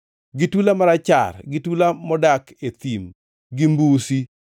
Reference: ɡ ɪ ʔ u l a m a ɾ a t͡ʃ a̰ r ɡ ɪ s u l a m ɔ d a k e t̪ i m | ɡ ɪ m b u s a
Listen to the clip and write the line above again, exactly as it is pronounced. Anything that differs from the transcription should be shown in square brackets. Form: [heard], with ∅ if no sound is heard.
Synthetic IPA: ɡ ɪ [t] u l a m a ɾ a t͡ʃ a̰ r ɡ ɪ [t] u l a m ɔ d a k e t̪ i m | ɡ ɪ m b u s [i]